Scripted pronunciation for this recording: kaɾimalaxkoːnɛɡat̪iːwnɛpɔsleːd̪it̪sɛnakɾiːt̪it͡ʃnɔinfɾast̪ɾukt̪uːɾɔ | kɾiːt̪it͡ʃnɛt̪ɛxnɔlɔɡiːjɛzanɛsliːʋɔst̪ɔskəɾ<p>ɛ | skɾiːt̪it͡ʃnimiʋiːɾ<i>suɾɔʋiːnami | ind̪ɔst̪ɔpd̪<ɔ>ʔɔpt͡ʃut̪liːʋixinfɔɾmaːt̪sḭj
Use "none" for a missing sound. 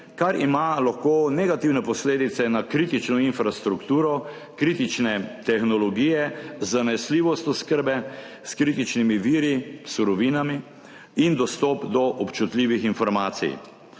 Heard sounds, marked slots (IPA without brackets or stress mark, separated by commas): b, i, ɔ